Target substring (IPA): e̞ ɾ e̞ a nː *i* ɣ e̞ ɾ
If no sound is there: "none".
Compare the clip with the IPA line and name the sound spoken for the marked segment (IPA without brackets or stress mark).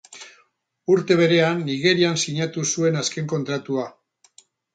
i